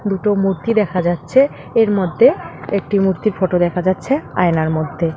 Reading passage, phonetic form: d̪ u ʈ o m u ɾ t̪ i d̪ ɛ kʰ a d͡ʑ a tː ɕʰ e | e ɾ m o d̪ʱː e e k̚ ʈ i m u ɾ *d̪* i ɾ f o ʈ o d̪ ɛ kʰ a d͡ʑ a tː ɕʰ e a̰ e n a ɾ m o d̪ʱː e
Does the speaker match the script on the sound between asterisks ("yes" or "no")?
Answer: no